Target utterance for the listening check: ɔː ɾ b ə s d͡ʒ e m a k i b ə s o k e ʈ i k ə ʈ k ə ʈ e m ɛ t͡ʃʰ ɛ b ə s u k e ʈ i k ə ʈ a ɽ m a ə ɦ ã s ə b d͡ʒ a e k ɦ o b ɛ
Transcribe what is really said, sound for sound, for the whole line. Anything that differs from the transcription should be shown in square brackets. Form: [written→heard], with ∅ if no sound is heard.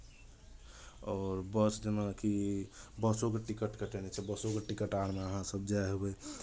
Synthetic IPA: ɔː ɾ b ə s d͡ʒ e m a k i b ə s o k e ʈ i k ə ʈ k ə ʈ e [m→n] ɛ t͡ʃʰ ɛ b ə s [u→o] k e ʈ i k ə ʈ a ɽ m [a→e] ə ɦ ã s ə b d͡ʒ a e [k→∅] ɦ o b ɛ